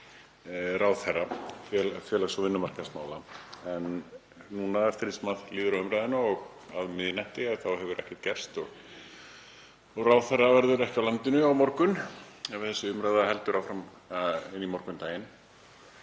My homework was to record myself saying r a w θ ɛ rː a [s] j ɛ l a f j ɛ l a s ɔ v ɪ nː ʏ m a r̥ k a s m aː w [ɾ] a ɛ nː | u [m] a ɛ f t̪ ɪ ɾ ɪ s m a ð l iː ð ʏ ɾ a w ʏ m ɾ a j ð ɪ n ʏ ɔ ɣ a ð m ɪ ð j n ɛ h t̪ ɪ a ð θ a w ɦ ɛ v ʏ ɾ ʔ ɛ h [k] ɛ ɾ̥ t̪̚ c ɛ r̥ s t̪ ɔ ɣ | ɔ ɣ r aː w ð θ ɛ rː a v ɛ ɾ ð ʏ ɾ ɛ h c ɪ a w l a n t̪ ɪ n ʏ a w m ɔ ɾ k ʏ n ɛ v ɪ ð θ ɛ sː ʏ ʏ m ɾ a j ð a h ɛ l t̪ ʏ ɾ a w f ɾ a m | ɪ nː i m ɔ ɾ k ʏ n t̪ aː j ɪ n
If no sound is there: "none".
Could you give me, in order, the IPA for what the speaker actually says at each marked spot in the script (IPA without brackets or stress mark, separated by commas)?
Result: f, l, n, c